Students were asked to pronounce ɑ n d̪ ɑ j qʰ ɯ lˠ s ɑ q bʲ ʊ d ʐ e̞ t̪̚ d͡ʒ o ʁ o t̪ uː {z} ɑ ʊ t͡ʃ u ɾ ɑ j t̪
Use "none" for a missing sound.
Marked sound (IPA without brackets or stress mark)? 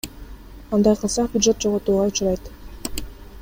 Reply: ʁ